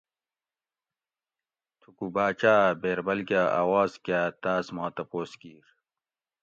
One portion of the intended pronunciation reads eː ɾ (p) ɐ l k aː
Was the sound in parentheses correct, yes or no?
no